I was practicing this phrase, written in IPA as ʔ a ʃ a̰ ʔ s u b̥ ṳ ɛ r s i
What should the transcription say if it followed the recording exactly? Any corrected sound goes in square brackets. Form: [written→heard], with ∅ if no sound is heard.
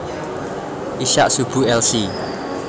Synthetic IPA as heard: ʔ [a→i] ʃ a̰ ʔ s u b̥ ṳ ɛ [r→l] s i